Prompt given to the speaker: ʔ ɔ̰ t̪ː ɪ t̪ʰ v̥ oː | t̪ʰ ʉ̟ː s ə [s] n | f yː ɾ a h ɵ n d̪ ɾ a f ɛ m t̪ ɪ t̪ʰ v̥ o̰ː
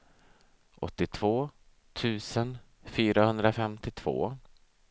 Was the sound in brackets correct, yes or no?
no